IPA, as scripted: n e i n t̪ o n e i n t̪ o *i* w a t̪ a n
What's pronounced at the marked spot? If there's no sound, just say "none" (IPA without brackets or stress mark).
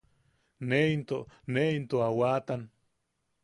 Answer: a